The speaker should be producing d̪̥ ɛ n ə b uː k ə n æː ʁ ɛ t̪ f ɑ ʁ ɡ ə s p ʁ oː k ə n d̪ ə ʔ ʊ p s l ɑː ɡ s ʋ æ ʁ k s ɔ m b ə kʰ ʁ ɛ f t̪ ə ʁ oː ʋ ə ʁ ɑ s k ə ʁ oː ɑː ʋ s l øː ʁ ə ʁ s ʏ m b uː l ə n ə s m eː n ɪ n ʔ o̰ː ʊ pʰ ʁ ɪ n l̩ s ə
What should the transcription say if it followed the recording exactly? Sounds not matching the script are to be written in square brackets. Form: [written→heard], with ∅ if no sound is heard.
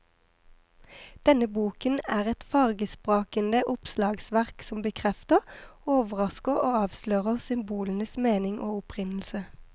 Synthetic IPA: d̪̥ ɛ n ə b uː k ə n æː ʁ ɛ t̪ f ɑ ʁ ɡ ə s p ʁ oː k ə n d̪ ə ʔ ʊ p s l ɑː ɡ s ʋ æ ʁ k s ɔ m b ə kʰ ʁ ɛ f t̪ ə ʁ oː ʋ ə ʁ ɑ s k ə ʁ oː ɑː ʋ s l øː ʁ ə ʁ s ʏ m b uː l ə n ə s m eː n ɪ [n→ŋ] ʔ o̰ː ʊ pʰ ʁ ɪ n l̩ s ə